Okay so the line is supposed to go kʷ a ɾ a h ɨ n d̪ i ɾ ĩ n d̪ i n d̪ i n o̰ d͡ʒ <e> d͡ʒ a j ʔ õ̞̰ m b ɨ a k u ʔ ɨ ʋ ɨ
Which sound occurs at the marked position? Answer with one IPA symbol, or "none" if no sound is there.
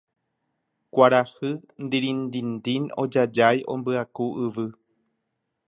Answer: a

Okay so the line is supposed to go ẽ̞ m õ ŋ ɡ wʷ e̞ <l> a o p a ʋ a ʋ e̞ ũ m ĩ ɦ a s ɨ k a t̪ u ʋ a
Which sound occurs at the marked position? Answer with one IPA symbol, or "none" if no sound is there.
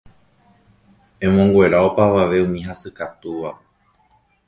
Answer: ɾ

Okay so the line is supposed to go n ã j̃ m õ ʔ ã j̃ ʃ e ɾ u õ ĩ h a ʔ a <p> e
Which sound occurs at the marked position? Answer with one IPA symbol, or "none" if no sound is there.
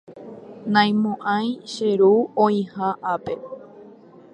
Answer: p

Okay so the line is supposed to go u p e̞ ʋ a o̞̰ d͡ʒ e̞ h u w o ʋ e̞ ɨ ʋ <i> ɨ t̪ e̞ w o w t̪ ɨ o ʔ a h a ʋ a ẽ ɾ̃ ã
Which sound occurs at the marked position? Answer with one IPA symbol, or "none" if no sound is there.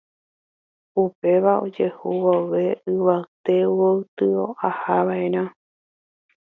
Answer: a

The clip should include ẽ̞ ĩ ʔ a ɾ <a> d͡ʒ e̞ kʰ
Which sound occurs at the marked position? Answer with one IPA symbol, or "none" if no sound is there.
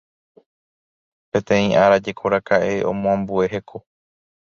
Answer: a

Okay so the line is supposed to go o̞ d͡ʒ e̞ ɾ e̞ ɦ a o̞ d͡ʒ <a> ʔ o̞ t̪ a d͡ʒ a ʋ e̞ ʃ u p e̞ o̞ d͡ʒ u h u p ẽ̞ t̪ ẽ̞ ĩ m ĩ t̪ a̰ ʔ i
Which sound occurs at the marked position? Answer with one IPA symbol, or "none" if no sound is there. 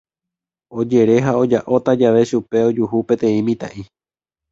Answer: a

